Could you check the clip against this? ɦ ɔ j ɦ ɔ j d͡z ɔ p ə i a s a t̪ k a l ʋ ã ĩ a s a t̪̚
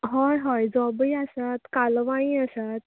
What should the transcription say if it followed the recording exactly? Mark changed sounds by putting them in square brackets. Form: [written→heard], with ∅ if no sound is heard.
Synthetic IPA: ɦ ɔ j ɦ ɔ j d͡z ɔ [p→b] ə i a s a t̪ k a l ʋ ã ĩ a s a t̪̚